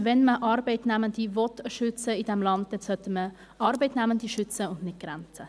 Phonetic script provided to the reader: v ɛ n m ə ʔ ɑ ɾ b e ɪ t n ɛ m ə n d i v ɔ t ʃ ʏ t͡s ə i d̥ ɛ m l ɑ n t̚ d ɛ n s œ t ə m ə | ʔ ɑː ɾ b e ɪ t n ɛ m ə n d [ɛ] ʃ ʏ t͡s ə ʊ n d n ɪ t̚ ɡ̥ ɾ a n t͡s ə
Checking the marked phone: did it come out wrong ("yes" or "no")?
yes